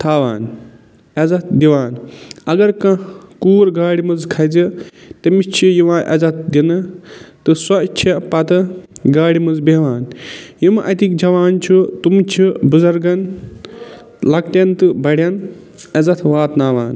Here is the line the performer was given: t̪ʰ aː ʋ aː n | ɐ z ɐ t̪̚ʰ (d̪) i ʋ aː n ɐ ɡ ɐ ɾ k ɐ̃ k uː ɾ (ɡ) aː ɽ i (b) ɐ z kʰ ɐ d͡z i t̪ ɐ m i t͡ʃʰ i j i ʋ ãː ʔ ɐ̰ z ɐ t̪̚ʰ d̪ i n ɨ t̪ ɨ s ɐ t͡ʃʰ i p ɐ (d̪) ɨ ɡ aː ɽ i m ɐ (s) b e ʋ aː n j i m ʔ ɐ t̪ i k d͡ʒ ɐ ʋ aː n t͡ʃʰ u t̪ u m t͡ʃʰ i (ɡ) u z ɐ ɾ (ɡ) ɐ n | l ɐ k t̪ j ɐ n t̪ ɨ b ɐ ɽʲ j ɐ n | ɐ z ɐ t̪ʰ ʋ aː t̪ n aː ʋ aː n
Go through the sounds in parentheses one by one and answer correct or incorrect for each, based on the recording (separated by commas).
correct, correct, incorrect, incorrect, incorrect, incorrect, correct